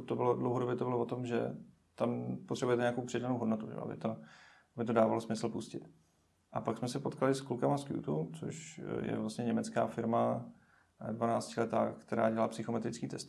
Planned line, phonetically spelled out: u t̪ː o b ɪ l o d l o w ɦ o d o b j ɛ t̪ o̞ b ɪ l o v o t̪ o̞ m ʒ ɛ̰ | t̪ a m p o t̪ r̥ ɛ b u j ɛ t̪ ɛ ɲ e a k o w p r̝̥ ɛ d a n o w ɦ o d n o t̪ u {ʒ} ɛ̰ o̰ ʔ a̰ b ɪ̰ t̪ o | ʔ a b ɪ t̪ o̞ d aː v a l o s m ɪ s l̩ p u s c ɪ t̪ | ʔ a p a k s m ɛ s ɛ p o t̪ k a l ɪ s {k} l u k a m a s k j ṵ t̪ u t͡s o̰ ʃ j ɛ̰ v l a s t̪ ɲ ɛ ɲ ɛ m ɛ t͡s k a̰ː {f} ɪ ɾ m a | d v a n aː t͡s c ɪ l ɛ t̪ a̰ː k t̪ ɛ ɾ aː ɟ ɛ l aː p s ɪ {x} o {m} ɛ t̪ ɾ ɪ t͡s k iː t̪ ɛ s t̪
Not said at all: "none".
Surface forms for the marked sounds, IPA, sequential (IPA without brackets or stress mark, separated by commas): ʒ, k, f, x, m